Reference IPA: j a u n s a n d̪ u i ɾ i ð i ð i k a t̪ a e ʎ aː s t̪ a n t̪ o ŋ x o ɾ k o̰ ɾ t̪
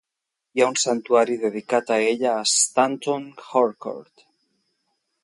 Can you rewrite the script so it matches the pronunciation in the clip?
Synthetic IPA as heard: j a u n s a n t̪ u a ɾ i ð e ð i k a t̪ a e ʎ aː s t̪ a n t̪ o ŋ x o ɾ k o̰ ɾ t̪